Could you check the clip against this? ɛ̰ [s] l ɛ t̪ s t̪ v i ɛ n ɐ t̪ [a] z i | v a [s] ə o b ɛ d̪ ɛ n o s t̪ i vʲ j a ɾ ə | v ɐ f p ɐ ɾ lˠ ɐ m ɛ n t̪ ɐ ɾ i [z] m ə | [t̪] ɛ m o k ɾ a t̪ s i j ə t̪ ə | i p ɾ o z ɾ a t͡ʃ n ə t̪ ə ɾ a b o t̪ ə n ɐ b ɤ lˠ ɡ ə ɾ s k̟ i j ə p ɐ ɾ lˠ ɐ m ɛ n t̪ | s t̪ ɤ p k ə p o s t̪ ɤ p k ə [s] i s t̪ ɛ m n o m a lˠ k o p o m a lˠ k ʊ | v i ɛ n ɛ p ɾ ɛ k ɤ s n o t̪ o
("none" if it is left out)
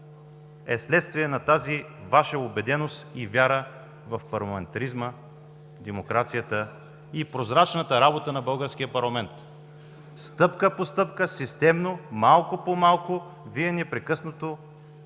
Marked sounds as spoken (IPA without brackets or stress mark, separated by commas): s, a, ʃ, z, d̪, s